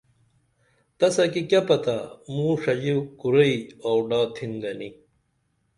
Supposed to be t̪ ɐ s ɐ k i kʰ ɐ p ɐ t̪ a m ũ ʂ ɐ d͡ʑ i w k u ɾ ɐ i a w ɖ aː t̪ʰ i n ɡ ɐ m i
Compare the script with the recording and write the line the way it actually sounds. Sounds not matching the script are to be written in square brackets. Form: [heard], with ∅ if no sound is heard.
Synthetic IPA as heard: t̪ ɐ s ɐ k i [k] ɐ p ɐ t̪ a m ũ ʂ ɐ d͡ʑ i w k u ɾ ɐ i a w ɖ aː t̪ʰ i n ɡ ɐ [n] i

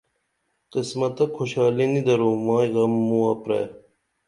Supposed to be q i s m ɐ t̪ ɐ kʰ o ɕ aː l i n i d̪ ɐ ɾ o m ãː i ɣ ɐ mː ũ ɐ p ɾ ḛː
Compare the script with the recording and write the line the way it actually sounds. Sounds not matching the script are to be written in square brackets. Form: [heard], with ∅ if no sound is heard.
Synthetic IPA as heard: q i s m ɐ t̪ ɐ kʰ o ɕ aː l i n i d̪ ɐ ɾ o m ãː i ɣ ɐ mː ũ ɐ p ɾ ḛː

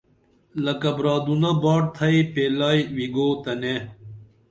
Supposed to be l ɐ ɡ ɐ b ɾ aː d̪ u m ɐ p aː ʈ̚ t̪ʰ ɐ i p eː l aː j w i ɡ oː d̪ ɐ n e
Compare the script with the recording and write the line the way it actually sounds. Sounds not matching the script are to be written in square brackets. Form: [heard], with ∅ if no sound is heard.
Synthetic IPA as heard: l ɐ [k] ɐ b ɾ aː d̪ u [n] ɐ [b] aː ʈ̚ t̪ʰ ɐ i p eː l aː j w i ɡ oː [t̪] ɐ n e

